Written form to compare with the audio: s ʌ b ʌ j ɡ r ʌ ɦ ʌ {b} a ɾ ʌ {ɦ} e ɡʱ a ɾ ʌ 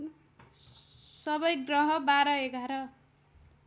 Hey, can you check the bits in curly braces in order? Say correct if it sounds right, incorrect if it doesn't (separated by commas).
correct, incorrect